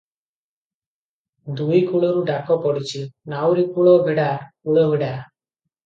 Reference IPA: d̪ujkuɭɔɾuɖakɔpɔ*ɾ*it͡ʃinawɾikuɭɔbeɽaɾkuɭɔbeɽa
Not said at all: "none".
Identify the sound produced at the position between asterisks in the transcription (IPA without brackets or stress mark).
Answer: ɽ